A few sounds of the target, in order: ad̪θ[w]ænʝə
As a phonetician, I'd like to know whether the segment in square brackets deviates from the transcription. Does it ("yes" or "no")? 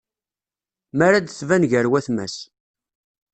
yes